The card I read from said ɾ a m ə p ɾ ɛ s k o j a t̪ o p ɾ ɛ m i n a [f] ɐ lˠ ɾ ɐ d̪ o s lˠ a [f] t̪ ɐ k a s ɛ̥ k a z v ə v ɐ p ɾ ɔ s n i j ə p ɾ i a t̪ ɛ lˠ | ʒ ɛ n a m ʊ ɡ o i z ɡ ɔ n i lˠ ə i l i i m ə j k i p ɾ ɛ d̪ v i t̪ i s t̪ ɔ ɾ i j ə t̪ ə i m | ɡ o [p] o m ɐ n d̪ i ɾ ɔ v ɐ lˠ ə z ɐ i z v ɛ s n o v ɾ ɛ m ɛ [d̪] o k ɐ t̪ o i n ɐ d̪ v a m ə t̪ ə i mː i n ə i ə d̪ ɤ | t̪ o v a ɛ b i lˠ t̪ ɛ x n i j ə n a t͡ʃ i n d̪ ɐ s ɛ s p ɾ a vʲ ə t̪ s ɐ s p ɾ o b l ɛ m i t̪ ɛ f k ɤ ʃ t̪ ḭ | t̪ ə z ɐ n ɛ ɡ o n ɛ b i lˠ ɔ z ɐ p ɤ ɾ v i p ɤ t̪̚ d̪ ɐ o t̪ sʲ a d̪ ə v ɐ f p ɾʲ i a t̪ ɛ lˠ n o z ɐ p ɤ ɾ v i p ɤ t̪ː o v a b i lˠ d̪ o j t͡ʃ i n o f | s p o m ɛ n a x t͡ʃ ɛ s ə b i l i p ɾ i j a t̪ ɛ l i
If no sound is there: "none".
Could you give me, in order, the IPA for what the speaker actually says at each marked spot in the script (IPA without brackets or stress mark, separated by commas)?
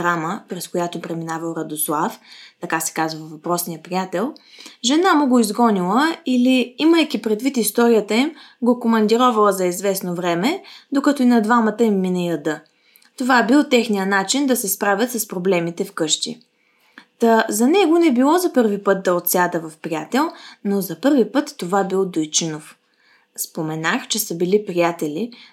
v, f, k, d̪